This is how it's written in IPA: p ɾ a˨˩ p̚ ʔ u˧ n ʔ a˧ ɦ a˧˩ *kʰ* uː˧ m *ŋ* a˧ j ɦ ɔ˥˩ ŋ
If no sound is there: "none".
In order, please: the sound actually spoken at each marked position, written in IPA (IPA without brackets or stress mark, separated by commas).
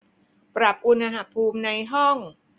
pʰ, n